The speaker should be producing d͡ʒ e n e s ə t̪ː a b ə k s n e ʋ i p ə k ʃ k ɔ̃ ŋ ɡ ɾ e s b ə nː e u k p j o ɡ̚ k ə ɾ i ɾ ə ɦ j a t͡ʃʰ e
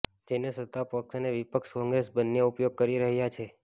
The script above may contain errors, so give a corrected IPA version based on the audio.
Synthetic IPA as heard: d͡ʒ e n e s ə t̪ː a p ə k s n e ʋ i p ə k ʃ k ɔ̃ ŋ ɡ ɾ e s b ə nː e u p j o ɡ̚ k ə ɾ i ɾ ə ɦ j a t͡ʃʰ e